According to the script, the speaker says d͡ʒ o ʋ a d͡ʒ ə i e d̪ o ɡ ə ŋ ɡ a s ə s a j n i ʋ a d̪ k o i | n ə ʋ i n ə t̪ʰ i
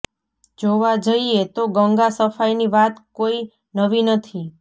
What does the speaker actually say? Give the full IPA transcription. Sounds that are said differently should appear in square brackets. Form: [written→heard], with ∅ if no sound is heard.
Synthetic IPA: d͡ʒ o ʋ a d͡ʒ ə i e [d̪→t̪] o ɡ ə ŋ ɡ a s ə [s→f] a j n i ʋ a [d̪→t̪] k o i | n ə ʋ i n ə t̪ʰ i